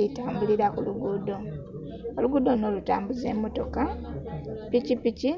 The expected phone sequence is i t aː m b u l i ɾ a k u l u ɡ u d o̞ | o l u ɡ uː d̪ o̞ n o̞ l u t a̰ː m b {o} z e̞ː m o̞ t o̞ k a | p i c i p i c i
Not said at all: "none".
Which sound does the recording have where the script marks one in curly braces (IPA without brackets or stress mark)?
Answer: u